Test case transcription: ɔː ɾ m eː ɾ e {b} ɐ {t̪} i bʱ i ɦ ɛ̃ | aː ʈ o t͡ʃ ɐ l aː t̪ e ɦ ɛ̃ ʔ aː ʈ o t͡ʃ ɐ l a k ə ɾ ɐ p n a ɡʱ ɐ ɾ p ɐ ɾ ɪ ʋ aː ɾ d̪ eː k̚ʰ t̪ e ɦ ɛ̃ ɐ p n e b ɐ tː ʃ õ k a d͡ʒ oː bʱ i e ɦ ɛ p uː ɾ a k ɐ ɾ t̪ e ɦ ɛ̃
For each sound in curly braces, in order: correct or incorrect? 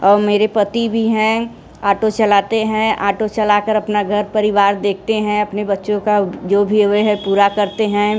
incorrect: p, correct

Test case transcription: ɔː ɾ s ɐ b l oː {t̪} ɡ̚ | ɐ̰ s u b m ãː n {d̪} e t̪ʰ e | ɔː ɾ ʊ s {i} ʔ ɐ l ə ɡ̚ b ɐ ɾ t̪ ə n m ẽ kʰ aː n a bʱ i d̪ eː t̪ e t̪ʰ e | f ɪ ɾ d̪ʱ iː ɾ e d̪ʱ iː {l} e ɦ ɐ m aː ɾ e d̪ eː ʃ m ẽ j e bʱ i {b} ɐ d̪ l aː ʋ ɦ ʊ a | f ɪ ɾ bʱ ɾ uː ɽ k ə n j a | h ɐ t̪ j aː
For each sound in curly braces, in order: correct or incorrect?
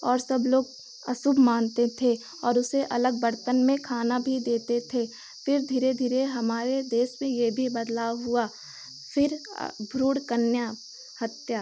incorrect: none, incorrect: t̪, incorrect: e, incorrect: ɾ, correct

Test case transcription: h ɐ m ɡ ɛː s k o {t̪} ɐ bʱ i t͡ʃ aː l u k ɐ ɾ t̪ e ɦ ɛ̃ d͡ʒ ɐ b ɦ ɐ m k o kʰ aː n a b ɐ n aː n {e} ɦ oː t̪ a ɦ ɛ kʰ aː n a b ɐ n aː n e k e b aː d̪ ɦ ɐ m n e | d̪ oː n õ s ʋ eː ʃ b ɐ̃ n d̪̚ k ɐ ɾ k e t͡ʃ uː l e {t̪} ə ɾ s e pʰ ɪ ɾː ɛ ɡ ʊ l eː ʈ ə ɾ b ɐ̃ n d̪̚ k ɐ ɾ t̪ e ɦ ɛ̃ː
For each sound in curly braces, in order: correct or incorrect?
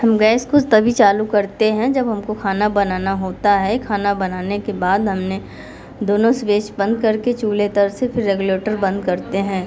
correct, incorrect: a, correct

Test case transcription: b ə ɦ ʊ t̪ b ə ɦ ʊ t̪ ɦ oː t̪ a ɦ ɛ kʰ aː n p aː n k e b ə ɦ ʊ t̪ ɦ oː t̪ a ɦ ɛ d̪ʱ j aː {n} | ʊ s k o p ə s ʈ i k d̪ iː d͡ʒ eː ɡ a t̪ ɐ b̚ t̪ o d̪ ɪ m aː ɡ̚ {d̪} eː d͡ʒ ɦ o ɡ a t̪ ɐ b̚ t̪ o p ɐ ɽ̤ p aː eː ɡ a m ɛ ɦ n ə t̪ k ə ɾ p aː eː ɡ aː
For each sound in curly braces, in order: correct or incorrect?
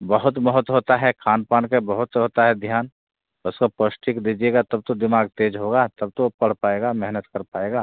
correct, incorrect: t̪

